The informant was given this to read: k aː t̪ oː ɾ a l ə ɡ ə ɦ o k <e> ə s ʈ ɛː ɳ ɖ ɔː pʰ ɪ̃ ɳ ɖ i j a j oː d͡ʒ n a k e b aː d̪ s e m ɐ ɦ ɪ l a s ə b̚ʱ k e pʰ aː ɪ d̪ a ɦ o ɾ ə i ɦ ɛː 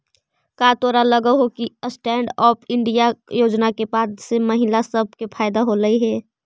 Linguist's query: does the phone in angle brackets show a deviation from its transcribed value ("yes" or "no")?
yes